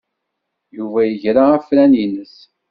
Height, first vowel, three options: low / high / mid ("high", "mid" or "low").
high